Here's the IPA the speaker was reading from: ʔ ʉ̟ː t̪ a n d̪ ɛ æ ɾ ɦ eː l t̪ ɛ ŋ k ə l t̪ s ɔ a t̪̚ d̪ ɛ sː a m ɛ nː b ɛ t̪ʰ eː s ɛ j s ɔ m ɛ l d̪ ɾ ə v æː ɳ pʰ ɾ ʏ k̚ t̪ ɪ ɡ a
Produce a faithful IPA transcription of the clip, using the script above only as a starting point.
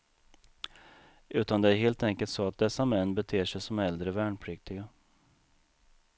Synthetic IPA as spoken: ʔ ʉ̟ː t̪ a n d̪ ɛ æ ɾ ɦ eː l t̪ ɛ ŋ k ə l t̪ s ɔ a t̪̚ d̪ ɛ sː a m ɛ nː b ɛ t̪ʰ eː ʂ ɛ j s ɔ m ɛ l d̪ ɾ ə v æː ɳ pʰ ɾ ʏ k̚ t̪ ɪ ɡ a